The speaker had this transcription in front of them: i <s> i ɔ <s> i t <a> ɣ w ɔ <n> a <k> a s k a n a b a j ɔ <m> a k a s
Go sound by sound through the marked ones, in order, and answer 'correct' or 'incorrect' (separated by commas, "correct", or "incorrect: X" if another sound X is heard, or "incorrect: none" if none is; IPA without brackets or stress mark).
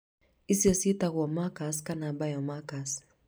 correct, correct, correct, incorrect: m, correct, correct